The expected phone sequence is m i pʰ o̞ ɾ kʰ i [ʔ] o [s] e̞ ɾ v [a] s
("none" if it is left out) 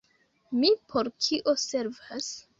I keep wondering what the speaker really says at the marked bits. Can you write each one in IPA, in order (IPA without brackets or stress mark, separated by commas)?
ʔ, s, a